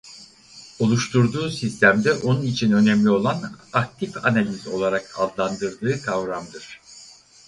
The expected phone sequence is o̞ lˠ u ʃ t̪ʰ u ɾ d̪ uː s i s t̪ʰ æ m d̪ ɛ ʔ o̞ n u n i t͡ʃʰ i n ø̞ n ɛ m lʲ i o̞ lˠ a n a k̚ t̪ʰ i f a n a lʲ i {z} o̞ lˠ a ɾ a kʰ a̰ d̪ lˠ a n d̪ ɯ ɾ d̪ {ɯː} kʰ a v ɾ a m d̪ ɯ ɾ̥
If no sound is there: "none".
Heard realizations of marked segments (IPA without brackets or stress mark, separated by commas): z, ɯː